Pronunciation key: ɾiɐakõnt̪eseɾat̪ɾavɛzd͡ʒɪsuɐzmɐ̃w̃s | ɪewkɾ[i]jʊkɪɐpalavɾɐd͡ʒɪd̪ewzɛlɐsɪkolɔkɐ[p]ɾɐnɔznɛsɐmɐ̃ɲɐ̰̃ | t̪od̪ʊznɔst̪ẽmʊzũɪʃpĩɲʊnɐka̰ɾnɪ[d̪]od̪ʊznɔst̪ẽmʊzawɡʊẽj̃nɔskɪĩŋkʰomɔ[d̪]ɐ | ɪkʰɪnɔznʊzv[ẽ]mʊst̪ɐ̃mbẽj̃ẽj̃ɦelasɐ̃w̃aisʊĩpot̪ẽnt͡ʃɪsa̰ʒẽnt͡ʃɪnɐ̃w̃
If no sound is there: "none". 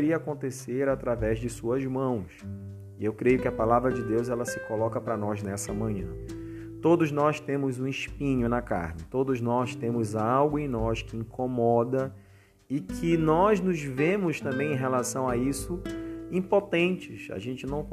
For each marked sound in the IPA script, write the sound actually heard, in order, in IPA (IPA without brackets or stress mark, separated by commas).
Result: e, p, t̪, d̪, ẽ